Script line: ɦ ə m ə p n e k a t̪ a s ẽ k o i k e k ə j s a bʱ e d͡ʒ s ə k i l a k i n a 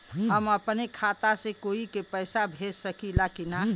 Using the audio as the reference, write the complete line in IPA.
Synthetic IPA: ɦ ə m ə p n e kʰ a t̪ a s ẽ k o i k e p ə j s a bʱ e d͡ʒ s ə k i l a k i n a

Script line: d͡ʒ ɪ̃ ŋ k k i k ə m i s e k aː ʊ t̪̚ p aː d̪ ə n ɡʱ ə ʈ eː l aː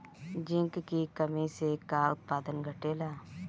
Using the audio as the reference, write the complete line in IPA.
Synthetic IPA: d͡ʒ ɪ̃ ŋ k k i k ə m i s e k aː ʊ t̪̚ p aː d̪ ə n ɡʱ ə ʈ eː l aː

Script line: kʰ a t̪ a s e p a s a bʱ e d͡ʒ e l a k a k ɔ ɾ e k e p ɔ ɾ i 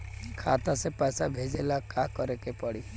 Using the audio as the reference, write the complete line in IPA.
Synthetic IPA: kʰ a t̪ a s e p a s a bʱ e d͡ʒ e l a k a k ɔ ɾ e k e p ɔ ɽ i

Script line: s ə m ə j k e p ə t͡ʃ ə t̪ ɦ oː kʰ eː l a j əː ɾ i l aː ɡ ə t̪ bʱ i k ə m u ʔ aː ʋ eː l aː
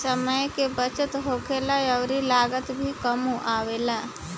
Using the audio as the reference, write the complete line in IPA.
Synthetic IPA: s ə m ə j k e b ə t͡ʃ ə t̪ ɦ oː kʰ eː l a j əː ɾ i l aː ɡ ə t̪ bʱ i k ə m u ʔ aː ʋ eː l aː

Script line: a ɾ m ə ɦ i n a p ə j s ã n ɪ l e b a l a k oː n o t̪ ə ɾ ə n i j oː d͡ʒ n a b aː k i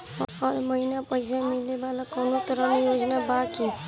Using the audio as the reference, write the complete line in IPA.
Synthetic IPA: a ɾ m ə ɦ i n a p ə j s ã m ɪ l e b a l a k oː n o t̪ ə ɾ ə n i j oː d͡ʒ n a b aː k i

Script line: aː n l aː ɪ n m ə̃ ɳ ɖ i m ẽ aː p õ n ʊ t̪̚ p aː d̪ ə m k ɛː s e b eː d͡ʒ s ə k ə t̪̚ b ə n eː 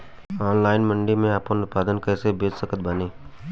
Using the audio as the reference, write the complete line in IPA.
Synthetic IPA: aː n l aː ɪ n m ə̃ ɳ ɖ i m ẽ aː p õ n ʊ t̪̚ p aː d̪ ə n k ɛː s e b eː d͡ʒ s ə k ə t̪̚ b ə n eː

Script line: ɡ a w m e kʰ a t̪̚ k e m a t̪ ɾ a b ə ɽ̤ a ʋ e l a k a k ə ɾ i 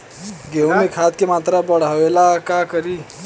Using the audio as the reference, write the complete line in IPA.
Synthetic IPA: ɡ e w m e kʰ a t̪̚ k e m a t̪ ɾ a b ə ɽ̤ a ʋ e l a k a k ə ɾ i

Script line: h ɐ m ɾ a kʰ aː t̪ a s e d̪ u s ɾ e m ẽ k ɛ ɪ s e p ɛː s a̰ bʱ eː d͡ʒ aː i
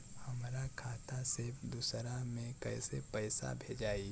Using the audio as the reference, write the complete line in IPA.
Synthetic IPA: h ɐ m ɾ a kʰ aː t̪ a s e d̪ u s ɾ a m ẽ k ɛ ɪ s e p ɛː s a̰ bʱ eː d͡ʒ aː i

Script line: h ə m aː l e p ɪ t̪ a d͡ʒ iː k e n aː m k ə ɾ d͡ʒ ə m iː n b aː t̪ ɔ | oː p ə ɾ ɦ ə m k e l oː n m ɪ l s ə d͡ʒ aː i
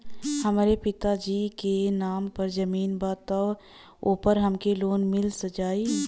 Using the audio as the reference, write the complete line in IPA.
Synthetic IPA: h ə m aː ɾ e p ɪ t̪ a d͡ʒ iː k e n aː m p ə ɾ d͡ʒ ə m iː n b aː t̪ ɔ | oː p ə ɾ ɦ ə m k e l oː n m ɪ l s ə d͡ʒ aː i

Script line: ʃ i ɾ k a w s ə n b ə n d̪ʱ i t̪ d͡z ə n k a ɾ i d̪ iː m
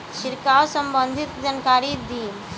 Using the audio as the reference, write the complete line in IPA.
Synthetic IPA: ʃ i ɾ k a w s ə m b ə n d̪ʱ i t̪ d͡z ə n k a ɾ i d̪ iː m

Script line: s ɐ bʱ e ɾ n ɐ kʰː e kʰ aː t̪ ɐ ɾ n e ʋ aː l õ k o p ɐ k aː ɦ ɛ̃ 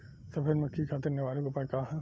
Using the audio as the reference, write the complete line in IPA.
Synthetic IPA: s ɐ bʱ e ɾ m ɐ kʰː i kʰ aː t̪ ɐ ɾ n e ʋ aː l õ k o p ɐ k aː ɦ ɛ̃

